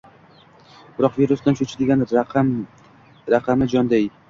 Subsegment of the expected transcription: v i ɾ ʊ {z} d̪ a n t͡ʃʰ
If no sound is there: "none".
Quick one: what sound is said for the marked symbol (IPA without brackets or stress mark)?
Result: s